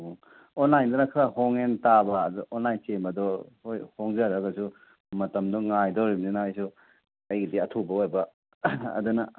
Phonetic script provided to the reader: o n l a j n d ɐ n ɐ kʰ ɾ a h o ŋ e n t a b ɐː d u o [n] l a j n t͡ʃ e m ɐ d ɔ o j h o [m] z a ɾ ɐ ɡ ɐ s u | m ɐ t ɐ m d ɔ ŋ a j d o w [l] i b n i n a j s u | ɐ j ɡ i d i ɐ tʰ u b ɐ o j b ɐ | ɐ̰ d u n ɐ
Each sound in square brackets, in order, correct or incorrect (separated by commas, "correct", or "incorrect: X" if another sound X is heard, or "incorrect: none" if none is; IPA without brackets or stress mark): correct, incorrect: ŋ, incorrect: ɾ